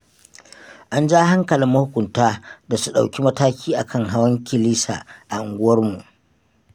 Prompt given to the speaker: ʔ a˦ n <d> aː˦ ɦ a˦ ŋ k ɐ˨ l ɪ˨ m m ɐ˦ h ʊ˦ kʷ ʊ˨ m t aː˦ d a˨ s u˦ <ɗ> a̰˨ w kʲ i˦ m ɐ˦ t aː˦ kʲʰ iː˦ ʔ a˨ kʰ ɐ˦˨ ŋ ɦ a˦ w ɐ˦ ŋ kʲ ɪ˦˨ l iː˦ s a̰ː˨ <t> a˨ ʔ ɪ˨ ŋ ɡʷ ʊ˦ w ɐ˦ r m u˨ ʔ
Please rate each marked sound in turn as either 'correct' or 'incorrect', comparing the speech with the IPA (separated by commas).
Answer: incorrect, correct, incorrect